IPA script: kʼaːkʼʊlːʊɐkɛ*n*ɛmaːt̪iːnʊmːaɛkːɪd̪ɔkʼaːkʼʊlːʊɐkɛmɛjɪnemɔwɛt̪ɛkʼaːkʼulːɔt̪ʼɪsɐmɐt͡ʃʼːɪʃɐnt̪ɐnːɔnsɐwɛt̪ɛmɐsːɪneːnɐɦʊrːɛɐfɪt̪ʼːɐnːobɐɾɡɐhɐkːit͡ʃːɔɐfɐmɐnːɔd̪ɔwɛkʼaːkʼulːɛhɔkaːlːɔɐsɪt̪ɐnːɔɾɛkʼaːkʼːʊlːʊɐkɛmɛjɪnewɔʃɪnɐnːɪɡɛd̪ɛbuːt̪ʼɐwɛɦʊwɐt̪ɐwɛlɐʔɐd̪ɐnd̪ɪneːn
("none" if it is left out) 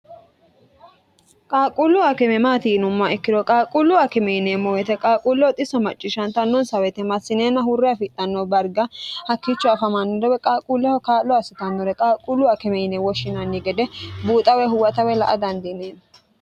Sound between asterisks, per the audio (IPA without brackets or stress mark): m